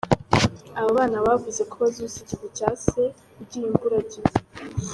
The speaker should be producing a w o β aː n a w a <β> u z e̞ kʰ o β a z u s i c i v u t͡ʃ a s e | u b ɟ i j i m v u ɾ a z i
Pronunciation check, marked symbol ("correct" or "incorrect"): incorrect